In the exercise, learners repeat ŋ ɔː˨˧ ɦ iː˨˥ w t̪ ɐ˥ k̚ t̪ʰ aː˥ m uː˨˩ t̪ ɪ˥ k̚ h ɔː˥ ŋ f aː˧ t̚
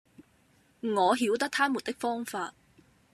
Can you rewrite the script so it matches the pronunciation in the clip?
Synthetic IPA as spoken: ŋ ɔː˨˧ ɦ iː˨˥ w t̪ ɐ˥ k̚ t̪ʰ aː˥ m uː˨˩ t̪ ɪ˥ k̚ f ɔː˥ ŋ f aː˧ t̚